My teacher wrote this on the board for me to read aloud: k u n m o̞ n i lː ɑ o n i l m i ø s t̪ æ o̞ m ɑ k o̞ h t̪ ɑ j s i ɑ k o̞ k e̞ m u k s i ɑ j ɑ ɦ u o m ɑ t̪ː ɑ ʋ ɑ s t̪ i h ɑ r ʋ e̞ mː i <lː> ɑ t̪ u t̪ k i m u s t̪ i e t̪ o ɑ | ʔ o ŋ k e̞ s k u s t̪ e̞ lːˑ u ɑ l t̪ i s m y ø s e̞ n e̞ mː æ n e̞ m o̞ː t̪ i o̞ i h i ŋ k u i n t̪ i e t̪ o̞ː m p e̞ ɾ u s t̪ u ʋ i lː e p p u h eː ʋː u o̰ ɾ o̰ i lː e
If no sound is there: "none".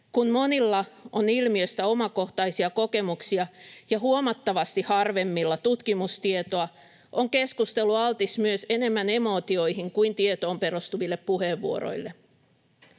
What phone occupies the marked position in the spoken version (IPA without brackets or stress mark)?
lː